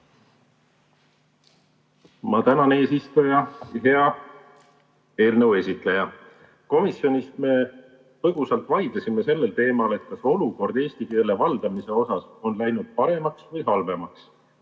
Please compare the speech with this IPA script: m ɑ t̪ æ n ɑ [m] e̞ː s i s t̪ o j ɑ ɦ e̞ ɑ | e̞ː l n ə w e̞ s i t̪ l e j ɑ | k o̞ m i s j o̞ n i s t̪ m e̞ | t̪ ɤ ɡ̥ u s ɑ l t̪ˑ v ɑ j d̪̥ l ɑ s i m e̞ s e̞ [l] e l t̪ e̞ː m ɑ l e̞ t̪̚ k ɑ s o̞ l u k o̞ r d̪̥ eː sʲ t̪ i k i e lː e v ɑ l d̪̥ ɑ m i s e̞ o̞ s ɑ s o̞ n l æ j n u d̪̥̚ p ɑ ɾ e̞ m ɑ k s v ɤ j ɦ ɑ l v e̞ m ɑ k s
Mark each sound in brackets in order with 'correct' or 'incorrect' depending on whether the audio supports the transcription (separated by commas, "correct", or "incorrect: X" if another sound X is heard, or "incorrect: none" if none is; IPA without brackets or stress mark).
incorrect: n, incorrect: lː